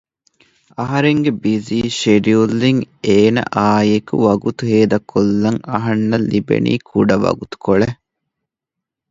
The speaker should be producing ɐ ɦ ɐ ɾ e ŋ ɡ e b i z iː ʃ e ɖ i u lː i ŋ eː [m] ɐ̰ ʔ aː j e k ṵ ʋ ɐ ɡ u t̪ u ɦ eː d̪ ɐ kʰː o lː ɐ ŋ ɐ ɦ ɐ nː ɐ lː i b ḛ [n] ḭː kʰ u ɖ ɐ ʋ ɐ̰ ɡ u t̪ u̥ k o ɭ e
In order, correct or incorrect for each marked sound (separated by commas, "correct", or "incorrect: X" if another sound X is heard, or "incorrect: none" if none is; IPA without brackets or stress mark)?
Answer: incorrect: n, correct